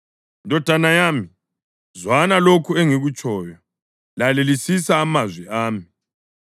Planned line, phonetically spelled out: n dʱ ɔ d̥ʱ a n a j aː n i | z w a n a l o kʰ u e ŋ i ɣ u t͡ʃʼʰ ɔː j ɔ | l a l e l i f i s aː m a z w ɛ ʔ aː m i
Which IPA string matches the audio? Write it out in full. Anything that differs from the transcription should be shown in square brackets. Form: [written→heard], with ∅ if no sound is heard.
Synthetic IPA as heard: n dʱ ɔ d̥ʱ a n a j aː [n→m] i | z w a n a l o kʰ u e ŋ i ɣ u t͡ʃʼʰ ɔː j ɔ | l a l e l i [f→s] i s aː m a z w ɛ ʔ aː m i